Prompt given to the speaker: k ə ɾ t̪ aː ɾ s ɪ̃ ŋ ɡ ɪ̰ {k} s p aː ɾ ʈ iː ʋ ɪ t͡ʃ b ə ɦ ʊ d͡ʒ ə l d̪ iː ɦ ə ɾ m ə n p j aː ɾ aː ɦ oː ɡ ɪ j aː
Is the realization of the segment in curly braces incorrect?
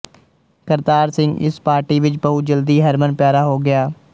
yes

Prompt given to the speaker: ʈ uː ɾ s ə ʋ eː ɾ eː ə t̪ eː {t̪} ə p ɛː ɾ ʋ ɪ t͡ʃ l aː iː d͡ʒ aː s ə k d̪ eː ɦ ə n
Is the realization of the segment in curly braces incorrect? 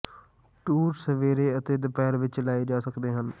yes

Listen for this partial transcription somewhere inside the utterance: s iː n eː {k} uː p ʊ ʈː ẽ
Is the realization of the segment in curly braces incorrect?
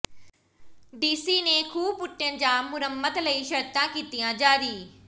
yes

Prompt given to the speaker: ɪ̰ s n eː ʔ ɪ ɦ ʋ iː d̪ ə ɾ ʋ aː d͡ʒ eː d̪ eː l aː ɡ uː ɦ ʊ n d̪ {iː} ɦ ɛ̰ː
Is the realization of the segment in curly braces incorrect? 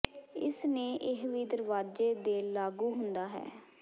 yes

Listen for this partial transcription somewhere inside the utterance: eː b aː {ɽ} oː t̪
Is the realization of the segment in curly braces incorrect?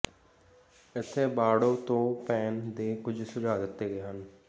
no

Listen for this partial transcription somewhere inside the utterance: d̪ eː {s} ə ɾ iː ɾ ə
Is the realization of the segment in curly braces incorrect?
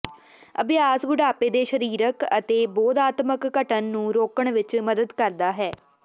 yes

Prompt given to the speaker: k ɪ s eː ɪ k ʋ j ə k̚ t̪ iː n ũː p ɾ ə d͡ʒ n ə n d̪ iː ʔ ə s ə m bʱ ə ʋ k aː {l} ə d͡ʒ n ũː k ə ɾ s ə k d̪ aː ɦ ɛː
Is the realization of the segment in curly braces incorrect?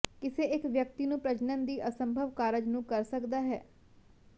yes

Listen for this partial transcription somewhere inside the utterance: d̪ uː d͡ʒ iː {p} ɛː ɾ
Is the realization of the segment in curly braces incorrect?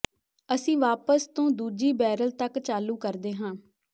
yes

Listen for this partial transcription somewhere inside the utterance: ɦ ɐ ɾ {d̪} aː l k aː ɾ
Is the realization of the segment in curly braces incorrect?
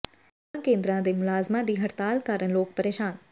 yes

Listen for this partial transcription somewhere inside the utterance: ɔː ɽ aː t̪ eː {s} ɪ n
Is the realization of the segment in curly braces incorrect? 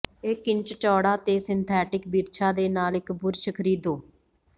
no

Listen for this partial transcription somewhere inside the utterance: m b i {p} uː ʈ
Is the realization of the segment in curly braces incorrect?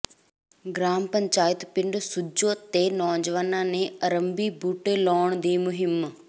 yes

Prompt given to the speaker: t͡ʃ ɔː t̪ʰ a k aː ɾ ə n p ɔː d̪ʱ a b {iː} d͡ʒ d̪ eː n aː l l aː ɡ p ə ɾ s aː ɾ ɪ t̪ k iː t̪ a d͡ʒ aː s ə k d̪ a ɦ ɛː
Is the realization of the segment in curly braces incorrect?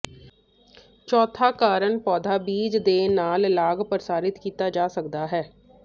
no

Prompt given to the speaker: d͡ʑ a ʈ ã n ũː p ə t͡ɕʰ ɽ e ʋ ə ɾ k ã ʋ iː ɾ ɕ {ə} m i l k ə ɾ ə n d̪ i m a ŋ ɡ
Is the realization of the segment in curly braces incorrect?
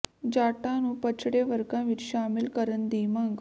yes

